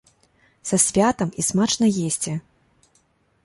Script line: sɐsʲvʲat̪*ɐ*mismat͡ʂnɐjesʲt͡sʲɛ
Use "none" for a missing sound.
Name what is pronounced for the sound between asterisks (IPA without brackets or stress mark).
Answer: ɐ